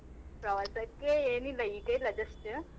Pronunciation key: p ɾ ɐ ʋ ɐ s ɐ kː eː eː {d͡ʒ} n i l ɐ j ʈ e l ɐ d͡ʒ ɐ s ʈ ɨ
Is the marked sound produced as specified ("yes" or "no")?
no